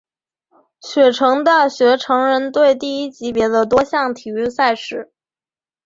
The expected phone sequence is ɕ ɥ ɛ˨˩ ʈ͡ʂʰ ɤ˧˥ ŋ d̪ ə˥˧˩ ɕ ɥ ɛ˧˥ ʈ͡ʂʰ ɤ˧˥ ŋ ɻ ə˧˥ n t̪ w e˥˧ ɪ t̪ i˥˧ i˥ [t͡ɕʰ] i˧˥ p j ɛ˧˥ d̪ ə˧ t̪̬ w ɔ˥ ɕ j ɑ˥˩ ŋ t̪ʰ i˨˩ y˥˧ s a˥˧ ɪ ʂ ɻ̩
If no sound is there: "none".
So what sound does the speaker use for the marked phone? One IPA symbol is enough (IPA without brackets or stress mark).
t͡ɕ